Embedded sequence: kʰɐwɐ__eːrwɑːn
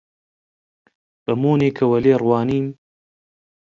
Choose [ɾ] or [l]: l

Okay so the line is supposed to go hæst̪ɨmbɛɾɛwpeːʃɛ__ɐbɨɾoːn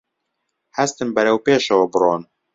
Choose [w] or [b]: w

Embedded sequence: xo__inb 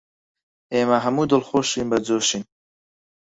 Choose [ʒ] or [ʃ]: ʃ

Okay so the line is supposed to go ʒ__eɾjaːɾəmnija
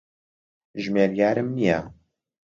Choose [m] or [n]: m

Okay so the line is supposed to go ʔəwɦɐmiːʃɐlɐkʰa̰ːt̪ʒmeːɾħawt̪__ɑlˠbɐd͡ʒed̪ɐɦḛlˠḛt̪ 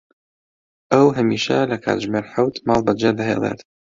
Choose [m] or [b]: m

